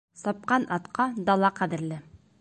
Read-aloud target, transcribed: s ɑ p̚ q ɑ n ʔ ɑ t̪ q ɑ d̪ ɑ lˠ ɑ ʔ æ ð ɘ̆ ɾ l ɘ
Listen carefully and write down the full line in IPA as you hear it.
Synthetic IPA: s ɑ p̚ q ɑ n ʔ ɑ t̪ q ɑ d̪ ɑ lˠ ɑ q æ ð ɘ̆ ɾ l ɘ